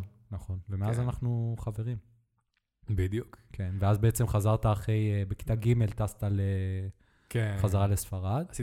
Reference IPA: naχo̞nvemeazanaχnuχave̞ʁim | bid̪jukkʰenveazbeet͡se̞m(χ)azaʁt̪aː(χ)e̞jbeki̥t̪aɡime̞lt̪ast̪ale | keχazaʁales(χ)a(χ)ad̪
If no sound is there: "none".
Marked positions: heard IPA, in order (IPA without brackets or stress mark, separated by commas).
χ, χ, f, ʁ